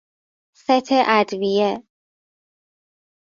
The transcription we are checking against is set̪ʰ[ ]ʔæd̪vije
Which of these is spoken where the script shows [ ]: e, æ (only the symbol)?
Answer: e